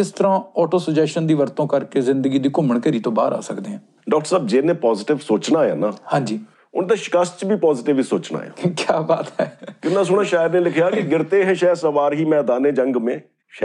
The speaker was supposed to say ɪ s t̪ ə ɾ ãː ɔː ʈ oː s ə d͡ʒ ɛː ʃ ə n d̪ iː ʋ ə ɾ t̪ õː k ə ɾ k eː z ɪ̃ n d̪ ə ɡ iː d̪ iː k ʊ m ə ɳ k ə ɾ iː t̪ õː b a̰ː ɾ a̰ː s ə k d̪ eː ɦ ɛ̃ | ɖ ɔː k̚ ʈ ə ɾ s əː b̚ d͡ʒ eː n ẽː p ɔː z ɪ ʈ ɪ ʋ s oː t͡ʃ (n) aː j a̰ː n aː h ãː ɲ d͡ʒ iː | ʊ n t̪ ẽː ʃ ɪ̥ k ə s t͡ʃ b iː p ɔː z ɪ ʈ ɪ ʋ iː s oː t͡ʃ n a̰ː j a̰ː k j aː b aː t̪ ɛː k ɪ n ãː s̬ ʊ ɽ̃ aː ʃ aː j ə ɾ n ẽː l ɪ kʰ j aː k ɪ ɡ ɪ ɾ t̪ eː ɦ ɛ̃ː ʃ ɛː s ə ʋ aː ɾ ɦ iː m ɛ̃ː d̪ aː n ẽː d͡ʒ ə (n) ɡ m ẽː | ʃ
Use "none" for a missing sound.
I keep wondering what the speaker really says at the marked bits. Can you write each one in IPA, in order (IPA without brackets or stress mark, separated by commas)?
n, ŋ